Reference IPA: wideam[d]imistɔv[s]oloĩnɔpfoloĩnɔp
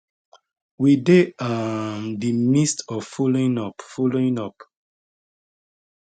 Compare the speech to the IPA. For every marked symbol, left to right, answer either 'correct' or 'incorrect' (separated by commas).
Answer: correct, incorrect